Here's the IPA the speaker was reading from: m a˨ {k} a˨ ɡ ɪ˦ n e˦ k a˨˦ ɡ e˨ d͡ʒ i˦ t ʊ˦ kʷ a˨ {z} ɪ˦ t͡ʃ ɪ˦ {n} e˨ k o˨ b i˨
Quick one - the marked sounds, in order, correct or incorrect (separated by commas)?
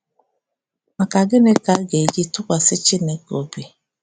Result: correct, incorrect, correct